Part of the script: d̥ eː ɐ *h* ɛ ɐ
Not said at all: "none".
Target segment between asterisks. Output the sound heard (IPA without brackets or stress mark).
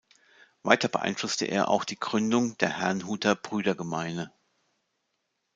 h